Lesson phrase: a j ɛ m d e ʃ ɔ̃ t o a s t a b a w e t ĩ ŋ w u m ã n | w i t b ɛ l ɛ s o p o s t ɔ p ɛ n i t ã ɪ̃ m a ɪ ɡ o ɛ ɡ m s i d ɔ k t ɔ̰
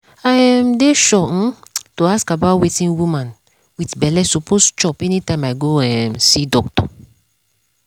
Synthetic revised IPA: a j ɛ m d e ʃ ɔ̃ t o a s k a b a w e t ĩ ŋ w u m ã n | w i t b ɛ l ɛ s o p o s t͡ʃ ɔ p ɛ n i t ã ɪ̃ m a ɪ ɡ o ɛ m s i d ɔ k t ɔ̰